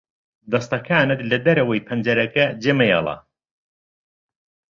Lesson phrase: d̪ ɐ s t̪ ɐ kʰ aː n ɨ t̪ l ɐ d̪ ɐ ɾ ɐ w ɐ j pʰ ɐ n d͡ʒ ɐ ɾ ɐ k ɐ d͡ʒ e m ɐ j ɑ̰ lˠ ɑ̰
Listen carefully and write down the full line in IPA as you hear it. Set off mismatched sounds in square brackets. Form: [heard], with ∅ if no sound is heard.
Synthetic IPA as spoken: d̪ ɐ s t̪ ɐ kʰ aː n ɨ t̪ l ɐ d̪ ɐ ɾ ɐ w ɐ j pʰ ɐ n d͡ʒ ɐ ɾ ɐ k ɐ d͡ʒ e m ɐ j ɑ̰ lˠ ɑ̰